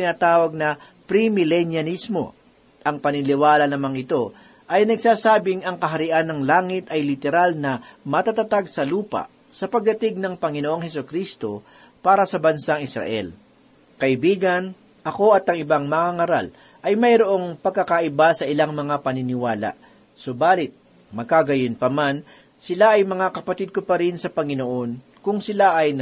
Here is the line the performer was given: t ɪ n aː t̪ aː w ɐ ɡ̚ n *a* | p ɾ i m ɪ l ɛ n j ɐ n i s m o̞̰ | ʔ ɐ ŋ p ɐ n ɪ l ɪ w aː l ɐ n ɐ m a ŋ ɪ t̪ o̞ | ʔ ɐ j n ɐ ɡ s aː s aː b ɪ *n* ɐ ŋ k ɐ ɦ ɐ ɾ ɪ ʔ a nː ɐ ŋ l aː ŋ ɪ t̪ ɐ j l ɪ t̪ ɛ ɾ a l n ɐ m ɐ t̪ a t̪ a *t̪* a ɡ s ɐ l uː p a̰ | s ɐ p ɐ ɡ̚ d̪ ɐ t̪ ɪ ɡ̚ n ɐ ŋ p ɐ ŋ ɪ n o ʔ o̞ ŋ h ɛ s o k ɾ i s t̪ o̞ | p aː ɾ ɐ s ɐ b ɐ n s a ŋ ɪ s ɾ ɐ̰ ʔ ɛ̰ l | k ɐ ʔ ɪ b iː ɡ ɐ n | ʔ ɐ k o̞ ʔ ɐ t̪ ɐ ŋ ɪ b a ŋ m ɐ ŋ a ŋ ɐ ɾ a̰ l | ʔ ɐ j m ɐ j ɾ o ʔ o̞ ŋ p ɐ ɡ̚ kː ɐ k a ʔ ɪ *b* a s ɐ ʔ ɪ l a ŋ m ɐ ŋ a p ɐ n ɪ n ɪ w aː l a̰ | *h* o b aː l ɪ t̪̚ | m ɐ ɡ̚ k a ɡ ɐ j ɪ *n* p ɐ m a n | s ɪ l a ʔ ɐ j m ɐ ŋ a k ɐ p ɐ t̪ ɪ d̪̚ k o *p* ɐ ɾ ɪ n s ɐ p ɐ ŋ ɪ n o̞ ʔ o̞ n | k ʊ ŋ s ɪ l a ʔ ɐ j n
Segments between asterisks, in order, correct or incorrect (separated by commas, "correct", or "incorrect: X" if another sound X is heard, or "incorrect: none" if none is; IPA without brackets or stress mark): incorrect: ɐ, incorrect: ŋ, correct, correct, incorrect: s, correct, correct